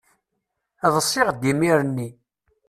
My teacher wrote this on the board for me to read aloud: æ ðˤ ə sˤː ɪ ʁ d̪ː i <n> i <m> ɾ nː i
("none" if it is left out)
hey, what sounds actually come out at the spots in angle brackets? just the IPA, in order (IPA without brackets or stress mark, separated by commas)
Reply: m, none